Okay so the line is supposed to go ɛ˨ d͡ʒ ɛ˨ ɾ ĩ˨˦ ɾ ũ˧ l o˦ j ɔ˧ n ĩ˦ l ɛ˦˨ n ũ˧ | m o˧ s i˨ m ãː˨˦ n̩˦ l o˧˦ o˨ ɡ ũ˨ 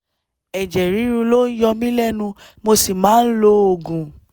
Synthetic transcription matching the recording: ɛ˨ d͡ʒ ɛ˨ ɾ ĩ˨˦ ɾ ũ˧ l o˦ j ɔ˧ m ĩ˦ l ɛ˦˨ n ũ˧ | m o˧ s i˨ m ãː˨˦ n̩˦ l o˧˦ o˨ ɡ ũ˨